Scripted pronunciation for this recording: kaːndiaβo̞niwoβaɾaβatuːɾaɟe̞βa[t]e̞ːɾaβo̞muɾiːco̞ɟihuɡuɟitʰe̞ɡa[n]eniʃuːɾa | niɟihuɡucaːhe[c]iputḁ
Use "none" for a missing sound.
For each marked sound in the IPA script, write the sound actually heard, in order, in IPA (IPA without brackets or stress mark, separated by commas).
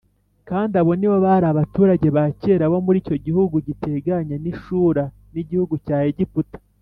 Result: c, ɲ, ɟ